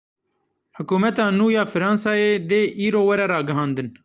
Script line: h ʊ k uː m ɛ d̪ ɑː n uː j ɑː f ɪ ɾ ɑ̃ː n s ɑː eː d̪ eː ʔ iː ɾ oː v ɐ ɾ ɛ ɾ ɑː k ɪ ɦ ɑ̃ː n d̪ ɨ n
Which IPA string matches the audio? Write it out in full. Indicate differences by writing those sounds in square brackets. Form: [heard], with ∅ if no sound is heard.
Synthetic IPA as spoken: h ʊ k uː m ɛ [t̪] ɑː n uː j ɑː f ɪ ɾ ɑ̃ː n s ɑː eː d̪ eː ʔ iː ɾ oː [w] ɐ ɾ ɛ ɾ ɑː [ɡ] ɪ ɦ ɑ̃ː n d̪ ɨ n

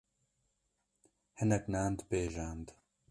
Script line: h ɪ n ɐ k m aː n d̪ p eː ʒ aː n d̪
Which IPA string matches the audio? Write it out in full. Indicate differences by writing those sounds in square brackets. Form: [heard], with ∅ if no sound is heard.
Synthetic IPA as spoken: h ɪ n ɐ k [n] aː n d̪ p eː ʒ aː n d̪

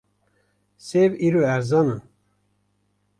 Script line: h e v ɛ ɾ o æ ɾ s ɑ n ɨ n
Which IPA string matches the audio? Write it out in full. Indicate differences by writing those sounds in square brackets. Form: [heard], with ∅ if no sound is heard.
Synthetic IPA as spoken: [s] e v [i] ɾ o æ ɾ [z] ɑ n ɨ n

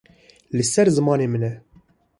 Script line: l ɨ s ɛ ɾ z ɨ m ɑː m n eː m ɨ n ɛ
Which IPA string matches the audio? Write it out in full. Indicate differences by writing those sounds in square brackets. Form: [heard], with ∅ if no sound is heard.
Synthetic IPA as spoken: l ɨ s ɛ ɾ z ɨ m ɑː [∅] n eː m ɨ n ɛ

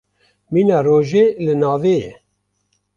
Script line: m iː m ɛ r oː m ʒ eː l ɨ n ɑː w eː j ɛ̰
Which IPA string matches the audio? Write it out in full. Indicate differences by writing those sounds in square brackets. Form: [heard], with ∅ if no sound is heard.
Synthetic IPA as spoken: m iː [n] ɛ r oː [∅] ʒ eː l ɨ n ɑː [v] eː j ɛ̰

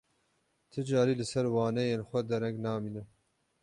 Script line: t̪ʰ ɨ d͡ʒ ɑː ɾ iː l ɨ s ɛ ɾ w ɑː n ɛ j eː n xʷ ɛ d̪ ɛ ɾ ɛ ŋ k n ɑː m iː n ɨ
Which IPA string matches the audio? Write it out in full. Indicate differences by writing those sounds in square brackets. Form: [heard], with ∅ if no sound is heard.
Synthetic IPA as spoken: t̪ʰ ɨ d͡ʒ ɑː ɾ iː l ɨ s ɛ ɾ w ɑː n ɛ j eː n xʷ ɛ d̪ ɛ ɾ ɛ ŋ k n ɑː m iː n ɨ

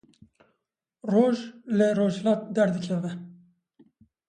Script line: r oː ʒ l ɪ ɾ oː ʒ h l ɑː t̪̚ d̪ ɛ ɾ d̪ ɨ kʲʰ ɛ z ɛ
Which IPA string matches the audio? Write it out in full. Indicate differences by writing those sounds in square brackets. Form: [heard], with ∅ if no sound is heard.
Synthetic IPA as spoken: r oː ʒ l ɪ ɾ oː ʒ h l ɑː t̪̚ d̪ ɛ ɾ d̪ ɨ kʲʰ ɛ [v] ɛ

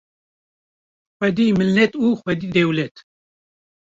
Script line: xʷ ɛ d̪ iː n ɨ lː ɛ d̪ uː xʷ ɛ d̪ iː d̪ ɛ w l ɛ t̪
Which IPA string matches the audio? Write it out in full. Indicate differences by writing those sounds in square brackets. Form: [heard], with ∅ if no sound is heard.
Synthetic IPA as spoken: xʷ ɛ d̪ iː [m] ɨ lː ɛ [t̪] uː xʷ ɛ d̪ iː d̪ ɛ w l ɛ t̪

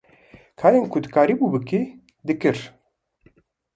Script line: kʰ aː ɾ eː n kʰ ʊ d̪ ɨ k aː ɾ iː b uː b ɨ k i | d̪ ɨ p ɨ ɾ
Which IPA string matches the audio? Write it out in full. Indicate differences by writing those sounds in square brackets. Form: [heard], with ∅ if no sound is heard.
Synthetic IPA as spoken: kʰ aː ɾ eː n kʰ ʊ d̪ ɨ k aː ɾ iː b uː b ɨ k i | d̪ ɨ [k] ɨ ɾ

